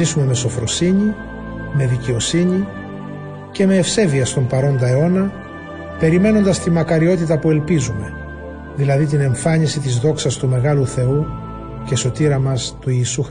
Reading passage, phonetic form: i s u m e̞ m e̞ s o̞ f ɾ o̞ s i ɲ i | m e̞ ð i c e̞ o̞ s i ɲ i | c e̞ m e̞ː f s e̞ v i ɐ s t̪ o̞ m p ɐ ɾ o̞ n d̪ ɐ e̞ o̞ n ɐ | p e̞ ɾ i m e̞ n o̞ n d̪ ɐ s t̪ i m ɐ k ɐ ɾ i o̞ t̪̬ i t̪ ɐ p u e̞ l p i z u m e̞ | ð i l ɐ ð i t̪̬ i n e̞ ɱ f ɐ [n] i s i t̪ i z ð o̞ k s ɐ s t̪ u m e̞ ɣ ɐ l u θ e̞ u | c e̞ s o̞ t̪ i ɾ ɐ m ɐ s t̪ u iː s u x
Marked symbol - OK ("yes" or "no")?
no